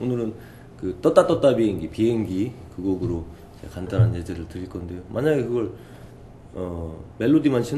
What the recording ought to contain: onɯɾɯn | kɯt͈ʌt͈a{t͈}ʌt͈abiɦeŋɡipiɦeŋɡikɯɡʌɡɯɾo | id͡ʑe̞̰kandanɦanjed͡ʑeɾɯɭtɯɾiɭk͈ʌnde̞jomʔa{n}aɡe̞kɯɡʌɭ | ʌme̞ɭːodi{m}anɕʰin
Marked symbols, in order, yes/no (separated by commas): yes, no, yes